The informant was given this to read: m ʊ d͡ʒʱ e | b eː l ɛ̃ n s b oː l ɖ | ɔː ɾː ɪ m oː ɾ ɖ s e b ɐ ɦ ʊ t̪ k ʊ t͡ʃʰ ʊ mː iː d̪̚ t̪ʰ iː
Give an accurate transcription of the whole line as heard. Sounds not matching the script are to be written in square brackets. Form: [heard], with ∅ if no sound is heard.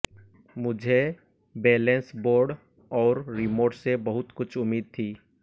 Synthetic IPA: m ʊ d͡ʒʱ e | b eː l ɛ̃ n s b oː [ɾ] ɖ | ɔː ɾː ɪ m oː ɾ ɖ s e b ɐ ɦ ʊ t̪ k ʊ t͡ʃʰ ʊ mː iː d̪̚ t̪ʰ iː